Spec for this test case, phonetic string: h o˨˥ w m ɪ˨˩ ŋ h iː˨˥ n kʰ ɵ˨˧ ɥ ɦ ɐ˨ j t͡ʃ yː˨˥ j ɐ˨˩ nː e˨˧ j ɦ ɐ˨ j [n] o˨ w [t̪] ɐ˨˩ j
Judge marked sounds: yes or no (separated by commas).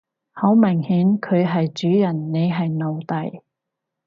yes, yes